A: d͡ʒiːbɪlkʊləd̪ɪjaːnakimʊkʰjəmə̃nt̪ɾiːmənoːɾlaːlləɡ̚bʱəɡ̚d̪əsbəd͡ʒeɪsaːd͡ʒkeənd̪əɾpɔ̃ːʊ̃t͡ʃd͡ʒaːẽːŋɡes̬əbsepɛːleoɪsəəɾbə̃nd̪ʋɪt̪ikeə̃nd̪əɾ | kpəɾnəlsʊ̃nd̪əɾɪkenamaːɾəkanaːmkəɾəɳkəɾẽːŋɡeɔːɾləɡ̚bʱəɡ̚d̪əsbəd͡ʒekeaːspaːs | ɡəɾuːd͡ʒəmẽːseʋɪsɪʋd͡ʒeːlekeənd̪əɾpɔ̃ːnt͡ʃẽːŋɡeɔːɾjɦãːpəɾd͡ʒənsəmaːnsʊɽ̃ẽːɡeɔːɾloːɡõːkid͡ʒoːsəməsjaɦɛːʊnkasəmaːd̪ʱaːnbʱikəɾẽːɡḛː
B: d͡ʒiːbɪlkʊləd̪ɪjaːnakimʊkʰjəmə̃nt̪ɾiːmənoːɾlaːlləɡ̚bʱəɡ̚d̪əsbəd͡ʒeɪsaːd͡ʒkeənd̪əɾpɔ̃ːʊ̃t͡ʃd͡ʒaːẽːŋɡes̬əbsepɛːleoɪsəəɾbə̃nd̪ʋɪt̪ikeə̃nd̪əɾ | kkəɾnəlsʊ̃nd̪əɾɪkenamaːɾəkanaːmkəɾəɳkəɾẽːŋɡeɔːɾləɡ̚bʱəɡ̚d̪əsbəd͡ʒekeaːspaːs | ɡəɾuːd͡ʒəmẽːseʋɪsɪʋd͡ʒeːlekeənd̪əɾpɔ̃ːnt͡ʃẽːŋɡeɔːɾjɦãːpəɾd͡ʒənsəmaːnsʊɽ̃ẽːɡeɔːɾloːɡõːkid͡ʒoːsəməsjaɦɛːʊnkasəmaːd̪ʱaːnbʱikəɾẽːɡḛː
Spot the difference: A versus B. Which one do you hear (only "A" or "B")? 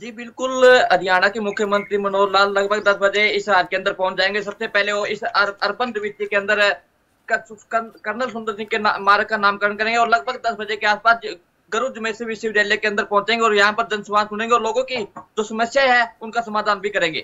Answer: B